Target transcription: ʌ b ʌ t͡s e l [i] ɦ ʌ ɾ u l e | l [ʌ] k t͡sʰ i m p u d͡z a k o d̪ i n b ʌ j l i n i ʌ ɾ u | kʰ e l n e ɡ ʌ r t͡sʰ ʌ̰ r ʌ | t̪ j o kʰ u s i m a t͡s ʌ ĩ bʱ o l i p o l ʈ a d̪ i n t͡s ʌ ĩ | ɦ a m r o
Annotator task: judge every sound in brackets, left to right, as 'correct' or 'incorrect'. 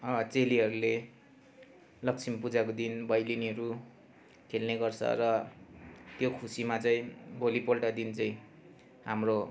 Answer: correct, correct

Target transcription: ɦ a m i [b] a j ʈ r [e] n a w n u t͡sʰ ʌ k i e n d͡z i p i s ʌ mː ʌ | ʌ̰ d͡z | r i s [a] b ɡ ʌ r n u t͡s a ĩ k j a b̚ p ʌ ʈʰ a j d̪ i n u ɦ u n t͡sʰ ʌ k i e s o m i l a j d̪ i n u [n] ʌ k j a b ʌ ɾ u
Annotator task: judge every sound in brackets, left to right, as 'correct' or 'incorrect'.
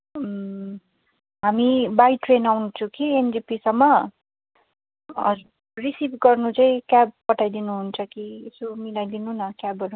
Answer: correct, correct, incorrect, correct

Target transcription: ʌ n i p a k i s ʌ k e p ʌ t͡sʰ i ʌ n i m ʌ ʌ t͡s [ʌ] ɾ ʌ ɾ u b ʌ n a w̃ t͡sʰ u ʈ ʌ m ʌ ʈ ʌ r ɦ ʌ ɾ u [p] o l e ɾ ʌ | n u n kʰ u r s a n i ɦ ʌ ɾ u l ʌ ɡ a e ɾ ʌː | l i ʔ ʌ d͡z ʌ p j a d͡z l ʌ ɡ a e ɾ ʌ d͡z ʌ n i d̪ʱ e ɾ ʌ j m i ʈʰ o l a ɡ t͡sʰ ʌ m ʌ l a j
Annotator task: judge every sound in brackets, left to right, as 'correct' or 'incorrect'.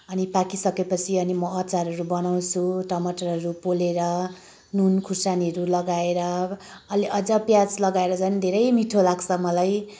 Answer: incorrect, correct

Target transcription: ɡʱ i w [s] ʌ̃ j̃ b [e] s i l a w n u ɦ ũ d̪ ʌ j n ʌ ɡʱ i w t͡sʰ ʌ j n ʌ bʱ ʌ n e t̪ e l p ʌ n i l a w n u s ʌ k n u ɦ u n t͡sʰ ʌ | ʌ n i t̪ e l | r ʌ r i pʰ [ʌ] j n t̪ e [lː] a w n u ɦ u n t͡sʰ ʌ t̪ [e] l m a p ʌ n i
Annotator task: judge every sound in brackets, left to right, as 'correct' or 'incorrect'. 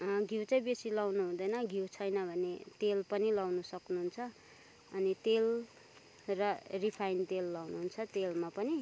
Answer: incorrect, correct, incorrect, correct, correct

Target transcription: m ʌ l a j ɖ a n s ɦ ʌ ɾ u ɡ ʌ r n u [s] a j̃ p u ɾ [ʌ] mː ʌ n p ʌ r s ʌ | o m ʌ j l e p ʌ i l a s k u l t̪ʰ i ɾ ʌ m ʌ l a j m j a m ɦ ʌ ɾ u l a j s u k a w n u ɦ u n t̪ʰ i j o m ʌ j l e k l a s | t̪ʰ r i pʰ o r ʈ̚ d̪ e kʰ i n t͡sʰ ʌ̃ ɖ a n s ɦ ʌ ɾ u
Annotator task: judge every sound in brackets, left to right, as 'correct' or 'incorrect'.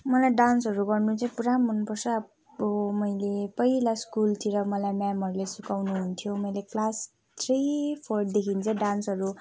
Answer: incorrect, incorrect

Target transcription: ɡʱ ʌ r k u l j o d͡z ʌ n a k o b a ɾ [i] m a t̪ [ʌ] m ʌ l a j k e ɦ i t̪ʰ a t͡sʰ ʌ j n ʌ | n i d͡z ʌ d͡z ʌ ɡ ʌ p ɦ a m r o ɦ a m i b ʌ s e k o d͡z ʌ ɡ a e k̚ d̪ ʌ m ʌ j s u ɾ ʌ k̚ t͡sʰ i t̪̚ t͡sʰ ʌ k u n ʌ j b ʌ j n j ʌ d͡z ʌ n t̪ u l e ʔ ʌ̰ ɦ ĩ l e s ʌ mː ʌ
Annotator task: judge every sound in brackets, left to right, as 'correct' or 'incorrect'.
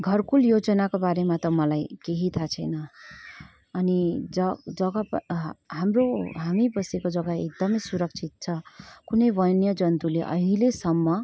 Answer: incorrect, correct

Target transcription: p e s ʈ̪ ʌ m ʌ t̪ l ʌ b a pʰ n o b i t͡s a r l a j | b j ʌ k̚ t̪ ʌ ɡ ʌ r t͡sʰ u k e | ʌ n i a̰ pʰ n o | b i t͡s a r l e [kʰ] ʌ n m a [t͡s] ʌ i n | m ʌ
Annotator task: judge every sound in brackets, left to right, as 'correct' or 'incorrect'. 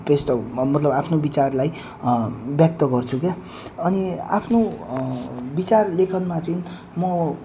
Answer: correct, correct

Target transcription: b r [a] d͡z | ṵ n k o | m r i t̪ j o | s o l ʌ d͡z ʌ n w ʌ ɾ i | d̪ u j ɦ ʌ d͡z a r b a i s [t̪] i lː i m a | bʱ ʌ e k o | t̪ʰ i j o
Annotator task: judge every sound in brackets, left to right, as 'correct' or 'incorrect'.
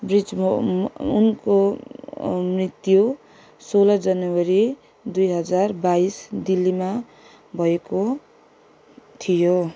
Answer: incorrect, incorrect

